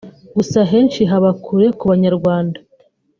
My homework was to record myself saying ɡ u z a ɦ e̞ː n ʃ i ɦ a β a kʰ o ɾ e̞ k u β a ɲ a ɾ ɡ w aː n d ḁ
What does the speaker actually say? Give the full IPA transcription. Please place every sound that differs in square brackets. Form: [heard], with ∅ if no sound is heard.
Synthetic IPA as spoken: ɡ u [s] a ɦ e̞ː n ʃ i ɦ a β a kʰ [u] ɾ e̞ k u β a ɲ a ɾ ɡ w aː n d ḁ